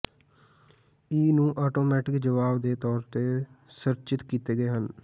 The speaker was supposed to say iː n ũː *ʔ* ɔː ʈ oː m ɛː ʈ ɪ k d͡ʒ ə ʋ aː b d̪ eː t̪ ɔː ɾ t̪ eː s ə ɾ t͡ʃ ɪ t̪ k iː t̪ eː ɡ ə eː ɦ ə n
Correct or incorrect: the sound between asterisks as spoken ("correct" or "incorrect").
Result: correct